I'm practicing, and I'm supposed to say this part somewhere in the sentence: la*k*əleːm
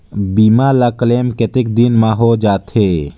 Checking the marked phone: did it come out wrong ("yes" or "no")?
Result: no